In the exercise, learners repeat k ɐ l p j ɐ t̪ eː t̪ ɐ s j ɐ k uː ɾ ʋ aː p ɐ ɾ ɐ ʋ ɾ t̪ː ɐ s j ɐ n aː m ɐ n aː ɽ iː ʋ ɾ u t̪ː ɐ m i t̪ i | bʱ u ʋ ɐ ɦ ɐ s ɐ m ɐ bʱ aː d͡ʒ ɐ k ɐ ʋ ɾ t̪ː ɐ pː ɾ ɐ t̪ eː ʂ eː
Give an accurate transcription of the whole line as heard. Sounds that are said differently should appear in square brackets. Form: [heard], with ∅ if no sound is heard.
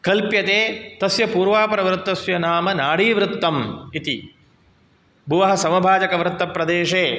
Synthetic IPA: k ɐ l p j ɐ t̪ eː t̪ ɐ s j ɐ [p] uː ɾ ʋ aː p ɐ ɾ ɐ ʋ ɾ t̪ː ɐ s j ɐ n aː m ɐ n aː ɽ iː ʋ ɾ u t̪ː ɐ m i t̪ i | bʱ u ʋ ɐ ɦ ɐ s ɐ m ɐ bʱ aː d͡ʒ ɐ k ɐ ʋ ɾ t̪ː ɐ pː ɾ ɐ [d̪] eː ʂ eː